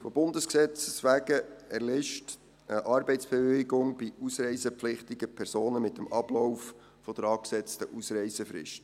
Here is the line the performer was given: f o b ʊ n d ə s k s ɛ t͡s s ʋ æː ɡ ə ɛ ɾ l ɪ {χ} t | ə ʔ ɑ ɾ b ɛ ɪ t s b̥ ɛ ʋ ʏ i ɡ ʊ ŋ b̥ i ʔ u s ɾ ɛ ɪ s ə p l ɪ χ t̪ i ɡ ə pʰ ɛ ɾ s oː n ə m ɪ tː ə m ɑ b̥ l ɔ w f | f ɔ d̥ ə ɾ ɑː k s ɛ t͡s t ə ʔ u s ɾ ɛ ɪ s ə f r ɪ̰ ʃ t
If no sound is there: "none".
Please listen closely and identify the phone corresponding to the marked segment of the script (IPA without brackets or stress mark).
ʃ